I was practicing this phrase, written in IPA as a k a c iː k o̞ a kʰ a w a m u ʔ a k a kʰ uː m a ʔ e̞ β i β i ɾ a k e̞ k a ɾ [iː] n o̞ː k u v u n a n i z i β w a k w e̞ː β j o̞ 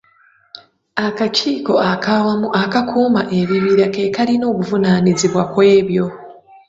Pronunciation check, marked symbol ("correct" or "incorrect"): incorrect